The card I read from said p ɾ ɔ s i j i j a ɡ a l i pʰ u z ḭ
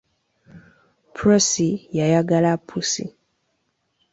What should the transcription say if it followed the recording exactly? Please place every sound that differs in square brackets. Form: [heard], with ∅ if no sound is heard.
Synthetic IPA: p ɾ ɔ s i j [a] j a ɡ a l [a] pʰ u [s] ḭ